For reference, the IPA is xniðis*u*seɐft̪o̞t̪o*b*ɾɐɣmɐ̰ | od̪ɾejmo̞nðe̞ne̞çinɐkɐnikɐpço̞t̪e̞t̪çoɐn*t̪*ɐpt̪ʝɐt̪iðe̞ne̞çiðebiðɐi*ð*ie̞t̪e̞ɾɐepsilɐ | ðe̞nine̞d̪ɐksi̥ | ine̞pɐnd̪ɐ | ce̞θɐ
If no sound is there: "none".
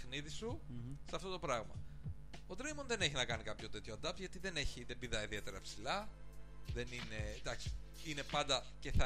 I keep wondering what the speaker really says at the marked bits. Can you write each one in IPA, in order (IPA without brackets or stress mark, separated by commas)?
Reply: u, p, d̪, ð